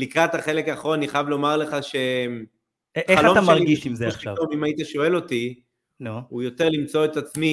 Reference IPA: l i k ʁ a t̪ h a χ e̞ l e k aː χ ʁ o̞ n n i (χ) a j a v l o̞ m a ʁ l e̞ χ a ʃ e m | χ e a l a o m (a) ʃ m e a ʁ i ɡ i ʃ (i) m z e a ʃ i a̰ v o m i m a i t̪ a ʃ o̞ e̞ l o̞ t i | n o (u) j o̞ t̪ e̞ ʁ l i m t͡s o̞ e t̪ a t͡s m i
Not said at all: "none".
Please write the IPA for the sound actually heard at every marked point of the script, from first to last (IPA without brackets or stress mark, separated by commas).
χ, a, i, u